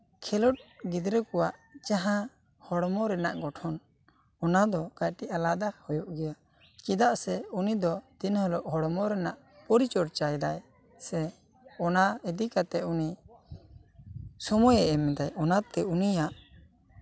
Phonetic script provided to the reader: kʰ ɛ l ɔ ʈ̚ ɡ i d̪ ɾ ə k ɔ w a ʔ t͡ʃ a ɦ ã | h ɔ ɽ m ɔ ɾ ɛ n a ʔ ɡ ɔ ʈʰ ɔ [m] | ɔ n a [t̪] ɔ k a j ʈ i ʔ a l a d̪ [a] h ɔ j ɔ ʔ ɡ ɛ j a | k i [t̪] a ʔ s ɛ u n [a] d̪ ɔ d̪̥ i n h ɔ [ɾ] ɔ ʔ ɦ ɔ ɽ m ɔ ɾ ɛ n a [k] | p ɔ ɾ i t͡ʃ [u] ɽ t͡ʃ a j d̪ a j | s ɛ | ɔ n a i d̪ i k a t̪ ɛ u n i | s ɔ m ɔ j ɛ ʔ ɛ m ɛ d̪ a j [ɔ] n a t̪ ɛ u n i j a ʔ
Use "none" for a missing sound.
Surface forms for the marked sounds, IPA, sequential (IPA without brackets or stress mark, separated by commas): n, d̪, a, d̪, i, l, ʔ, ɔ, ɔ